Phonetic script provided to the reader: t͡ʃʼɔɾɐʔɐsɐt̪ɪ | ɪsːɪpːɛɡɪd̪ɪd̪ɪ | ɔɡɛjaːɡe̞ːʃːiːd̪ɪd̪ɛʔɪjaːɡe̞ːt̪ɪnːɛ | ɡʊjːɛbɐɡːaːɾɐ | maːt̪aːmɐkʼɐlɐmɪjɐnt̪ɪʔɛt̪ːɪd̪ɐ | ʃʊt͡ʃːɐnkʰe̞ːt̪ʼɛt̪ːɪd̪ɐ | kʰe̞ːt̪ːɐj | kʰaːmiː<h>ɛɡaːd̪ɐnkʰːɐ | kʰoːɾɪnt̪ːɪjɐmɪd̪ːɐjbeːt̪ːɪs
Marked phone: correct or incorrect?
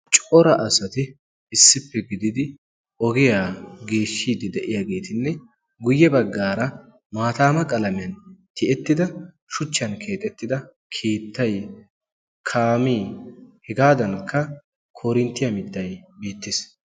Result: correct